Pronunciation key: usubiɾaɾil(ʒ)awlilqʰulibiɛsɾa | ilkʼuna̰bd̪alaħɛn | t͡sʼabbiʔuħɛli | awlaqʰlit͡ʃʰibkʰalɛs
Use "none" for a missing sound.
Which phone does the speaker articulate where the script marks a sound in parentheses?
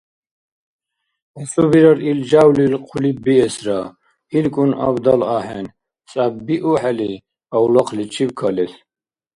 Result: d͡ʒ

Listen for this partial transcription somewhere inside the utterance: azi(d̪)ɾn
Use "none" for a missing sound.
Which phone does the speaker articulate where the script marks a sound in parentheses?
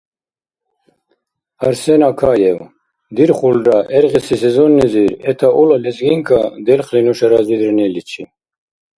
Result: d̪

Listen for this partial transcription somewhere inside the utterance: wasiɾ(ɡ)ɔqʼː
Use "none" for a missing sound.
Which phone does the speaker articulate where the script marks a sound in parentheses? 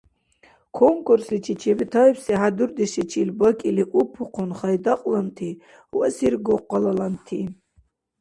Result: ɡ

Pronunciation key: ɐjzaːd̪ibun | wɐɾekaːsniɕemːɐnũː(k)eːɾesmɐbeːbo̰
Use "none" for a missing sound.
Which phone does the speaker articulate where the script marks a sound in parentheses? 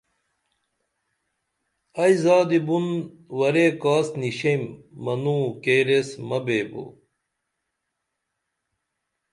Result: k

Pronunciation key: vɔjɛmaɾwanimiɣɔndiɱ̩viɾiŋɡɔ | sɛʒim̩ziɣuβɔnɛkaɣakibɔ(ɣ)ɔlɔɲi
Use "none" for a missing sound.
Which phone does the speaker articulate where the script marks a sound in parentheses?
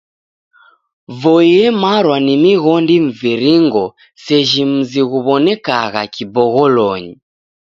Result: ɣ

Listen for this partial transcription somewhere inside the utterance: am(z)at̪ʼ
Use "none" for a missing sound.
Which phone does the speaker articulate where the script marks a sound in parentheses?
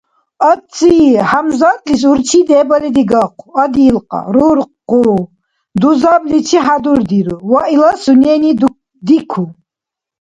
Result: z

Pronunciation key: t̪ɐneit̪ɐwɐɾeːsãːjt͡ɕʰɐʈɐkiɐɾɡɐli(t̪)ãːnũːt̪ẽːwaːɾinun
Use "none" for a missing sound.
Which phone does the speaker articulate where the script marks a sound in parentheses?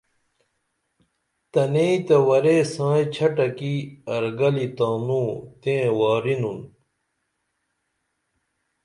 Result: t̪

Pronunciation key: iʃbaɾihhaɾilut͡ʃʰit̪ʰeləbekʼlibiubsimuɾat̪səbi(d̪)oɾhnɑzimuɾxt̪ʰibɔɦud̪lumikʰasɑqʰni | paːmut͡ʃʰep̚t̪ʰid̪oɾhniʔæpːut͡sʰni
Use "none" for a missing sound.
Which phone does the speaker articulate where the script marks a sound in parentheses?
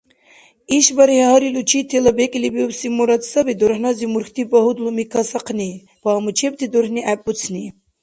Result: d̪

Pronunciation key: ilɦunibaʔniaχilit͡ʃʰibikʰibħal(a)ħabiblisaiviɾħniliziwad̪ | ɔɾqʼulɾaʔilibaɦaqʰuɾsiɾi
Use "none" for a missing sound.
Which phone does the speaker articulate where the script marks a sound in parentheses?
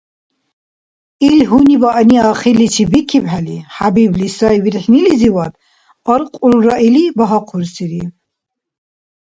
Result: i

